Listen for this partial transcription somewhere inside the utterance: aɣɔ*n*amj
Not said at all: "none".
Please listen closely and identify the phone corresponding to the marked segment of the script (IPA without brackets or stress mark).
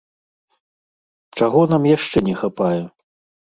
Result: n